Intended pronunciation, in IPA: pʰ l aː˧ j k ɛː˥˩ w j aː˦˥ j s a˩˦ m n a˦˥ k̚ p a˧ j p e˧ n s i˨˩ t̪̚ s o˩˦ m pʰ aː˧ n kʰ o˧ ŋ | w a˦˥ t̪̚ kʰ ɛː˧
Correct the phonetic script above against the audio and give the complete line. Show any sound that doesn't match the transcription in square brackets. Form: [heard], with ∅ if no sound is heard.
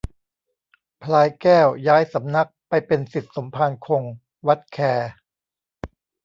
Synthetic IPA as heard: pʰ l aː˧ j k ɛː˥˩ w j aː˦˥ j s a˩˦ m n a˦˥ k̚ p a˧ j p e˧ n s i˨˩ t̪̚ s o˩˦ m pʰ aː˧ n kʰ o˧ ŋ | w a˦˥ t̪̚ kʰ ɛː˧